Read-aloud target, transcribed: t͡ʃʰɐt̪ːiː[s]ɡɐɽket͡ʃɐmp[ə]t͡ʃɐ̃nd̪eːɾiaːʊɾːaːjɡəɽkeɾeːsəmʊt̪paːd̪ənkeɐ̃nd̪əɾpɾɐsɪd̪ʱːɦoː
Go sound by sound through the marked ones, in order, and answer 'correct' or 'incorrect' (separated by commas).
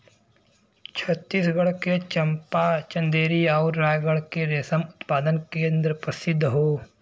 correct, incorrect